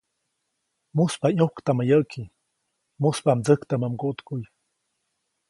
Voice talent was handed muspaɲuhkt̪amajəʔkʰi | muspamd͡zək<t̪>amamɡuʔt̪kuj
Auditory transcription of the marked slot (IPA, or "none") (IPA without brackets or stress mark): t̪